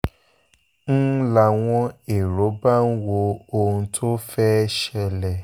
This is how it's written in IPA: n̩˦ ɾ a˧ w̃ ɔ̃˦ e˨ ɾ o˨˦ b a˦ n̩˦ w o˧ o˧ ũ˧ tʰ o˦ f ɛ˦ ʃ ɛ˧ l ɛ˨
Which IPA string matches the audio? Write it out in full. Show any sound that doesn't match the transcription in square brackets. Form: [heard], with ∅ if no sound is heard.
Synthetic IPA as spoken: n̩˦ [l] a˧ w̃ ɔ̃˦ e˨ ɾ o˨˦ b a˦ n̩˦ w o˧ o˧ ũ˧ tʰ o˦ f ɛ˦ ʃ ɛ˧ l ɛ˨